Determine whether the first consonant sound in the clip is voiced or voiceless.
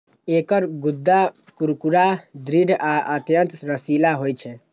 voiceless